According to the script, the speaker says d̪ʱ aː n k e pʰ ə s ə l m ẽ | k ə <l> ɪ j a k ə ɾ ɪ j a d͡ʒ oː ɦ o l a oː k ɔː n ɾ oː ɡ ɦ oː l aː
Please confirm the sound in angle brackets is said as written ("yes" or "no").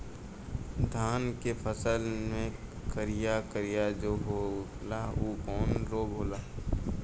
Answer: no